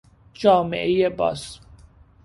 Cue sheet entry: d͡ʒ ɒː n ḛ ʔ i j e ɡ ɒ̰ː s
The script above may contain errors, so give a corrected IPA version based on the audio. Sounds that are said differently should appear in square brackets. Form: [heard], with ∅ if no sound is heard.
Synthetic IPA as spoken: d͡ʒ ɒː [m] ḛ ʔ [e] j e [b] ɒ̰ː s